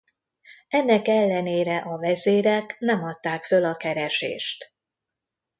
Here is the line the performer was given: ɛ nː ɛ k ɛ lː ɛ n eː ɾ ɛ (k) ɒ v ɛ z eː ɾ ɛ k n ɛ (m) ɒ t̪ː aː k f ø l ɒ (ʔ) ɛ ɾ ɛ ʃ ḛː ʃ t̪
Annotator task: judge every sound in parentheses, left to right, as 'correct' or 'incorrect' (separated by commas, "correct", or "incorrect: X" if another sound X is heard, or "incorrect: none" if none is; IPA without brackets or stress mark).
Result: incorrect: ʔ, correct, incorrect: k